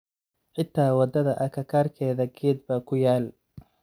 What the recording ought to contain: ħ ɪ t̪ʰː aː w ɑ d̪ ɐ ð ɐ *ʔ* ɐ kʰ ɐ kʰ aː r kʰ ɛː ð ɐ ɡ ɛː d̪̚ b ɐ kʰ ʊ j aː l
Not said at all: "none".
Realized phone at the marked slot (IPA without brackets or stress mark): ʔ